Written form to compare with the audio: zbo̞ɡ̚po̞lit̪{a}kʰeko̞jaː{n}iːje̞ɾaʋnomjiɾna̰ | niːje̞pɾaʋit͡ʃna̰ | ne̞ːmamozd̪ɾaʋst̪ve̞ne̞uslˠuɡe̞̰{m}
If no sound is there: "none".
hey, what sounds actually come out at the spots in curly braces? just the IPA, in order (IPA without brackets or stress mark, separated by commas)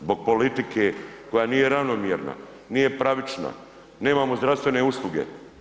i, n, none